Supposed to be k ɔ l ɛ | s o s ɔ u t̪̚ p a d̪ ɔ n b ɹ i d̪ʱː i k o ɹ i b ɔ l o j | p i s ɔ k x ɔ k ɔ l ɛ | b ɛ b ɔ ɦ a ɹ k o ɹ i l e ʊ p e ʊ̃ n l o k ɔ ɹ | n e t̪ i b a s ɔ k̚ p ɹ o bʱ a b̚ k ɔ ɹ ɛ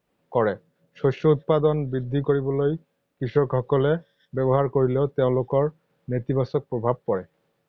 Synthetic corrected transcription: k ɔ ɹ ɛ | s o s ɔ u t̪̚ p a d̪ ɔ n b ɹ i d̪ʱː i k o ɹ i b ɔ l o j | k i s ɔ k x ɔ k ɔ l ɛ | b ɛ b ɔ ɦ a ɹ k o ɹ i l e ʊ t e ʊ̃ l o k ɔ ɹ | n e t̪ i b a s ɔ k̚ p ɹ o bʱ a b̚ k ɔ ɹ ɛ